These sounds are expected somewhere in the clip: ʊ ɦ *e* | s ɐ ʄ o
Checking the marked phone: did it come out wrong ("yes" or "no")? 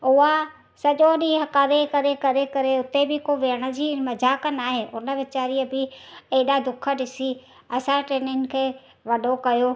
yes